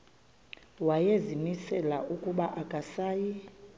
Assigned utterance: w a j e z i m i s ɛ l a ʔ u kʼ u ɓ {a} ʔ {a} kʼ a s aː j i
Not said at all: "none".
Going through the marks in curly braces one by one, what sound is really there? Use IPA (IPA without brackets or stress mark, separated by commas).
a, a